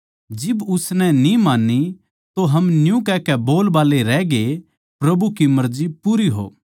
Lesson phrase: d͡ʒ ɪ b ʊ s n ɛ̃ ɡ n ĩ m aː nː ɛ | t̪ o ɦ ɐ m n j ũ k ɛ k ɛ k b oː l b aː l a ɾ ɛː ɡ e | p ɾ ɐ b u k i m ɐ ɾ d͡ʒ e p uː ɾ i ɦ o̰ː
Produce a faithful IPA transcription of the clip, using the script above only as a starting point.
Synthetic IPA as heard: d͡ʒ ɪ b ʊ s n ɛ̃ n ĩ m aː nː i | t̪ o ɦ ɐ m n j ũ k ɛ k ɛ b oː l b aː l e ɾ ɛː ɡ e | p ɾ ɐ b u k i m ɐ ɾ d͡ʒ i p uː ɾ i ɦ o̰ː